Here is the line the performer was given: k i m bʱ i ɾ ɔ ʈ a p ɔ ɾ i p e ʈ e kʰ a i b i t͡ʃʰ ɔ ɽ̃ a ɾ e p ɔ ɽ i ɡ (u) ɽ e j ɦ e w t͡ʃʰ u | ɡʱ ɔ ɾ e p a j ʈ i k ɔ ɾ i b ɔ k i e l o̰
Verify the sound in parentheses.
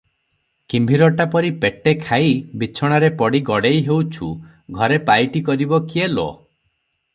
incorrect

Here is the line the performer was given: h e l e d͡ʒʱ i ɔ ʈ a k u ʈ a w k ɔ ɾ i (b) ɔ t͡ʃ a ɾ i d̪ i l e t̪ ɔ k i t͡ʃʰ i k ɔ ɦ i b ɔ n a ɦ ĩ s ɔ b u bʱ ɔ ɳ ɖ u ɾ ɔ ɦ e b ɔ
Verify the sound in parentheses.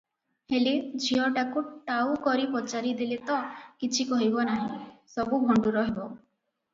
incorrect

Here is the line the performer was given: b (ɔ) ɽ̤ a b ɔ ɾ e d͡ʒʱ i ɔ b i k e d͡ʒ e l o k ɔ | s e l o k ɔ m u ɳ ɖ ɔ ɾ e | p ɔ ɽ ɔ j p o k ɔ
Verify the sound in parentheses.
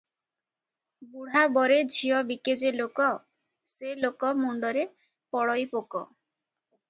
incorrect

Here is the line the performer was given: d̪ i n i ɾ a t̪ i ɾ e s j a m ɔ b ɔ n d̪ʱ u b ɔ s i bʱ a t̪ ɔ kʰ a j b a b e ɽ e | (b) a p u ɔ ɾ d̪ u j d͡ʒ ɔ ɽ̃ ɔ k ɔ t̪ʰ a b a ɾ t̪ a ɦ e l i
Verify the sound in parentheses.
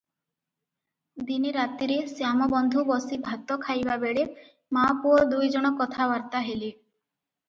incorrect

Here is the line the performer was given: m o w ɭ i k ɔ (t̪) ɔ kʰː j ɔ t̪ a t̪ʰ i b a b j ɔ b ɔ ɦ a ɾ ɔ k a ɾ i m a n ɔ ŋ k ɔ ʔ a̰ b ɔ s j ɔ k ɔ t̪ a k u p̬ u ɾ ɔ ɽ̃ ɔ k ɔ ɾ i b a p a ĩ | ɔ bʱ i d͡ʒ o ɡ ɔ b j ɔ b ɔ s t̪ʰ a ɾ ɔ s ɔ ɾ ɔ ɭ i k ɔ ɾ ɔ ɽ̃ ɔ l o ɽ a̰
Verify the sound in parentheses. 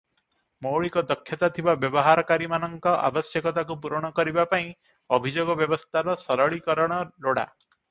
incorrect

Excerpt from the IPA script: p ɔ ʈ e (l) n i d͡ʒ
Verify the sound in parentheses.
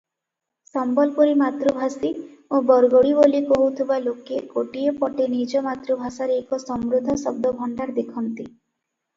incorrect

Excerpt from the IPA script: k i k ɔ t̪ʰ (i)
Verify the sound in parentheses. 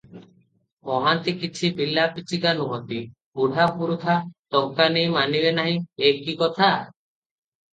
incorrect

